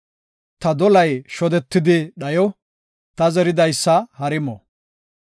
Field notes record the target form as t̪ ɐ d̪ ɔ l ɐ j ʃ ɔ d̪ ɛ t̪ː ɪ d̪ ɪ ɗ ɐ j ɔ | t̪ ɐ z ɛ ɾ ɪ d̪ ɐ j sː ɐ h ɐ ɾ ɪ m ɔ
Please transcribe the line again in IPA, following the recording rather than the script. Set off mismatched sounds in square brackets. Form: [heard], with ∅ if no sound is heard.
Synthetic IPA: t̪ ɐ d̪ ɔ l ɐ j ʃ ɔ d̪ ɛ t̪ː ɪ d̪ ɪ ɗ ɐ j ɔ | t̪ ɐ z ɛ ɾ ɪ d̪ ɐ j sː ɐ h ɐ ɾ ɪ m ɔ